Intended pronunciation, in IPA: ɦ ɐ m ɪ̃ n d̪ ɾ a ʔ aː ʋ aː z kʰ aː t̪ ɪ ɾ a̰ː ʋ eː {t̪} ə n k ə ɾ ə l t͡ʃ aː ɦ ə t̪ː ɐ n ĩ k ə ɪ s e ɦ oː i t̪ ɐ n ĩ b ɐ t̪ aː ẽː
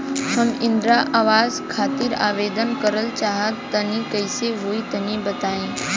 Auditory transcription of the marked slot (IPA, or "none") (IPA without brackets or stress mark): d̪